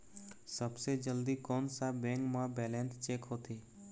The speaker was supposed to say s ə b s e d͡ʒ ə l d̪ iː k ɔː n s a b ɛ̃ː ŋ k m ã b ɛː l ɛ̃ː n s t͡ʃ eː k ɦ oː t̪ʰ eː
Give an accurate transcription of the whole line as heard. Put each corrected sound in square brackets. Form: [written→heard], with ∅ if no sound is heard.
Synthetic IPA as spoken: s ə b s e d͡ʒ ə l d̪ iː k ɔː n s a b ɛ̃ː ŋ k m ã b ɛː l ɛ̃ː n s t͡ʃ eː k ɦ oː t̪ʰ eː